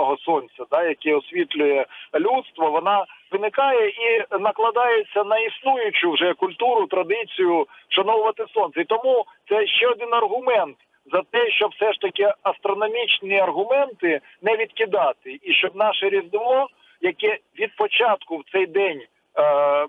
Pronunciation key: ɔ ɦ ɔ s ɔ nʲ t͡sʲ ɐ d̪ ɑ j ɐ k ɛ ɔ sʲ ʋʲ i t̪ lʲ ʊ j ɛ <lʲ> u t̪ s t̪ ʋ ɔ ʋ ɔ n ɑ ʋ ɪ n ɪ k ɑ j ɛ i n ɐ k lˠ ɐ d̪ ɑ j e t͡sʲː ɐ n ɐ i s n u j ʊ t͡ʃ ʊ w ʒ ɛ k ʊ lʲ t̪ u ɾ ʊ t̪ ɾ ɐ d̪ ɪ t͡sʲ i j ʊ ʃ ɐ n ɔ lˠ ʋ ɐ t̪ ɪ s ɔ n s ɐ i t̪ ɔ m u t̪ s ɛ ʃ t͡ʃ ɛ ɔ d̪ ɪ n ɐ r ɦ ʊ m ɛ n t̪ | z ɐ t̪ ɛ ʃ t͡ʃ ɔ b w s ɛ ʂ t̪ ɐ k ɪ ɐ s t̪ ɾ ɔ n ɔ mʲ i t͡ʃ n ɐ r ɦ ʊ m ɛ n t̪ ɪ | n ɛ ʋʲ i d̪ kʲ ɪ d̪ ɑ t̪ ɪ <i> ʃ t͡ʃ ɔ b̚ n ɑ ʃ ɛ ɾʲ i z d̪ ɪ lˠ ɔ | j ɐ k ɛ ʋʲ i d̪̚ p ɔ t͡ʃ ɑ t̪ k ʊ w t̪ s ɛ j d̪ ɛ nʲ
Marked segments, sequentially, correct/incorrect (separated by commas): correct, correct